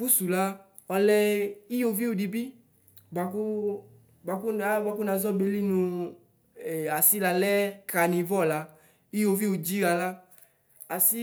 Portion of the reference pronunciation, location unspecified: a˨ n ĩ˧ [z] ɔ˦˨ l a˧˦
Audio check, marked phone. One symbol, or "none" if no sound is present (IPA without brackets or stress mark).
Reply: v